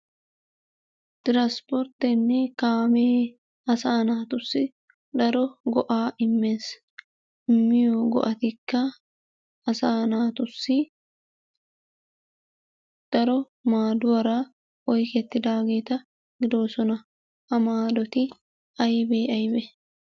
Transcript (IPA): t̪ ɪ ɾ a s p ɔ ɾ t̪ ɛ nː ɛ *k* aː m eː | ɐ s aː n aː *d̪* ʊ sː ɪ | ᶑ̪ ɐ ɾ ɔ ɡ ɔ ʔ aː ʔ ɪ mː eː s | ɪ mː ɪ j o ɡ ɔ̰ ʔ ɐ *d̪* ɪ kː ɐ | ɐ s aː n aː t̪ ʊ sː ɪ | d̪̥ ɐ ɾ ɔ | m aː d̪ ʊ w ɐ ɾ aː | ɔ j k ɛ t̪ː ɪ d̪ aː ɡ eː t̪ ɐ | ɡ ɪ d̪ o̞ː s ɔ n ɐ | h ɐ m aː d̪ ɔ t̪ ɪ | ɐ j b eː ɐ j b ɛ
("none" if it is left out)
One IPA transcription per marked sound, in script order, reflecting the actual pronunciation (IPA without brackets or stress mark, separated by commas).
k, t̪, t̪